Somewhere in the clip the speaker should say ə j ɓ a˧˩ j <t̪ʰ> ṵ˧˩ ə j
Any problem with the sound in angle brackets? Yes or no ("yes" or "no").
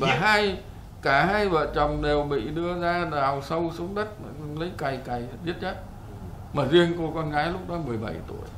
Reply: yes